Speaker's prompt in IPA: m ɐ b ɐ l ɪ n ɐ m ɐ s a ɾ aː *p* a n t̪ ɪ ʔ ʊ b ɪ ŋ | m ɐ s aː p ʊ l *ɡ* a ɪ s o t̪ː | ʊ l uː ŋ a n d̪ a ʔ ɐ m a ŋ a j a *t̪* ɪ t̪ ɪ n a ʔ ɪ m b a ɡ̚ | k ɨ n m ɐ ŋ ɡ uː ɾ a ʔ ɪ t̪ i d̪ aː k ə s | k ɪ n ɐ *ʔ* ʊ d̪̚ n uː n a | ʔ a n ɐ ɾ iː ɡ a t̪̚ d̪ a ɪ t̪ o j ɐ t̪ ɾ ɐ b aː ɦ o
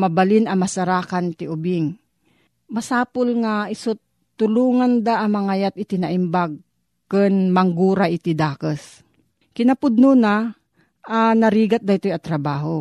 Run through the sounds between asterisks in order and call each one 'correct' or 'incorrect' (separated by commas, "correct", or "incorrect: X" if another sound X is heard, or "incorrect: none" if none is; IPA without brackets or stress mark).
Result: incorrect: k, incorrect: ŋ, correct, incorrect: p